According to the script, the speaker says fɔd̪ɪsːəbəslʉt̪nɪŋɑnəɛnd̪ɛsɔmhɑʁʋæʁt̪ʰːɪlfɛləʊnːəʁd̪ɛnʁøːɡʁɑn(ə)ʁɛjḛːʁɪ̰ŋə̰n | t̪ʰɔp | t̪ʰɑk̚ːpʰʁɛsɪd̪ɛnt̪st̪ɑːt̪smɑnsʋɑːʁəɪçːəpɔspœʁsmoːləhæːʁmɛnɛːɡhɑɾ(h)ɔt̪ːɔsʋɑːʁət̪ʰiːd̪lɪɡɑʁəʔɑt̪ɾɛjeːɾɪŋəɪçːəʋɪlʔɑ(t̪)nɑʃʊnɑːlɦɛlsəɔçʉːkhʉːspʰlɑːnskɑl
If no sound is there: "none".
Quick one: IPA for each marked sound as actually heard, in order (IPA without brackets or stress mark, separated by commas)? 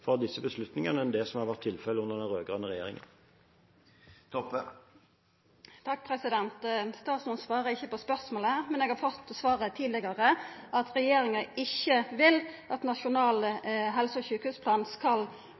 ə, f, t̪